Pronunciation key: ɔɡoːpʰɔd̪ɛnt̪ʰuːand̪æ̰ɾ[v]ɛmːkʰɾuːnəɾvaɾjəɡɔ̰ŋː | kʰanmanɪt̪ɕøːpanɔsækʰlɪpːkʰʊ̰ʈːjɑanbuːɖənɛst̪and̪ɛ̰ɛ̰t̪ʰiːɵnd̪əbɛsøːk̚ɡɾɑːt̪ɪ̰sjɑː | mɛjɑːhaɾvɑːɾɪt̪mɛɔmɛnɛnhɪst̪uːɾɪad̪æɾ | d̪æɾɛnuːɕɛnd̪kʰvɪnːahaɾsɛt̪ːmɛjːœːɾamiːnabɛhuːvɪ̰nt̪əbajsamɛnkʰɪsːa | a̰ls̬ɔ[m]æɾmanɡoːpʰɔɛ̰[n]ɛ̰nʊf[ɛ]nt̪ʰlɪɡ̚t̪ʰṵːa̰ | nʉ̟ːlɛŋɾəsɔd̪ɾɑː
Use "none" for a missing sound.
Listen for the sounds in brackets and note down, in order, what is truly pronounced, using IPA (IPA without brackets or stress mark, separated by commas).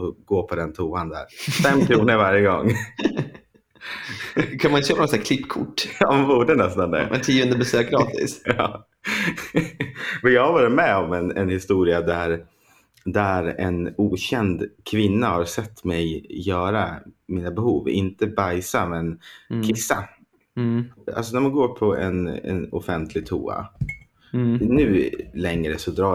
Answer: f, n, n, ɛ